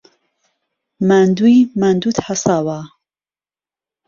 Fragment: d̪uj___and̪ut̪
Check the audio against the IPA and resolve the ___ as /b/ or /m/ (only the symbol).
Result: m